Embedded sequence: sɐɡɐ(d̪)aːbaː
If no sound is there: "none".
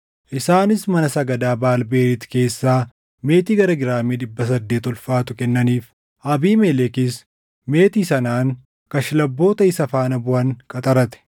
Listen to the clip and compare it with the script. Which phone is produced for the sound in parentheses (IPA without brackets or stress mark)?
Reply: d̪